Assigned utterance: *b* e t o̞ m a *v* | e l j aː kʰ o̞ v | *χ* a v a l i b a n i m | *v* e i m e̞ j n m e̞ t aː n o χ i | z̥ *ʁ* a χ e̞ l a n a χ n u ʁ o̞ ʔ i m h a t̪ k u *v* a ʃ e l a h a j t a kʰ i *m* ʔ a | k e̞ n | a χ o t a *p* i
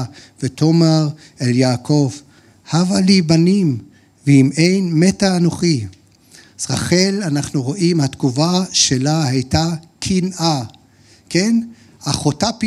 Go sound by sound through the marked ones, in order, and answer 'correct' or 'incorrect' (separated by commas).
incorrect, incorrect, incorrect, correct, correct, correct, incorrect, correct